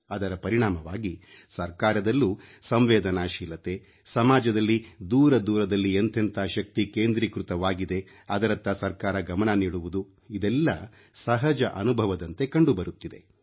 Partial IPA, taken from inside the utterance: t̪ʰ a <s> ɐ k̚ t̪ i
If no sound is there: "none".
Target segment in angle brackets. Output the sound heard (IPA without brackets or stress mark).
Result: ʃ